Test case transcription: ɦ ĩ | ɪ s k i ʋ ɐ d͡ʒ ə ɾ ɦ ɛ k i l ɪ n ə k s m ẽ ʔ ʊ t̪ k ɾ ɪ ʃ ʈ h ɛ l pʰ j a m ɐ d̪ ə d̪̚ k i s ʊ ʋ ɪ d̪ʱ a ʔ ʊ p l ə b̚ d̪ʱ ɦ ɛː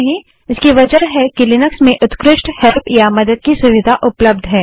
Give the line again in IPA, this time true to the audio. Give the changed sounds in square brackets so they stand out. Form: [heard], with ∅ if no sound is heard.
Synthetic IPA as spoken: ɦ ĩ | ɪ s k i ʋ ɐ d͡ʒ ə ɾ ɦ ɛ k i l ɪ n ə k s m ẽ ʔ ʊ t̪ k ɾ ɪ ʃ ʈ h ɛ l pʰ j a m ɐ d̪ ə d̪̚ k i s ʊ ʋ ɪ d̪ʱ a ʔ ʊ p l ə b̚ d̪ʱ ɦ ɛː